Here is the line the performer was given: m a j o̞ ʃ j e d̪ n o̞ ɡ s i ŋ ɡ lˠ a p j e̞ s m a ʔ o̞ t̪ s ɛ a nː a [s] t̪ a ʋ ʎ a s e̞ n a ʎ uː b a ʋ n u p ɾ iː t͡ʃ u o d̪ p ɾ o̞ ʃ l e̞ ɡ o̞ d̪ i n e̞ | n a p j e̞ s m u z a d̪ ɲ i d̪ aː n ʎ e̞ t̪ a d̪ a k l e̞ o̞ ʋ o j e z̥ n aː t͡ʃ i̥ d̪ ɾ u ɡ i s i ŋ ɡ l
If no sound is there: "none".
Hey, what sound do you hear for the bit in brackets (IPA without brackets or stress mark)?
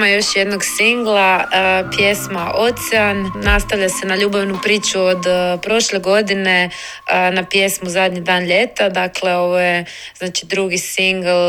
s